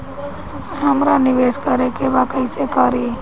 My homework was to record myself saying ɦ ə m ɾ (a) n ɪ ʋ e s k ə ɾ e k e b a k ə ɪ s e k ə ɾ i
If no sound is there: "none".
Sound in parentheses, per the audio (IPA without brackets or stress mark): a